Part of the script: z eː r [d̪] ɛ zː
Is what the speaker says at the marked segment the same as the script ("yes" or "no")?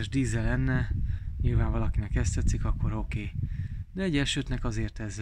no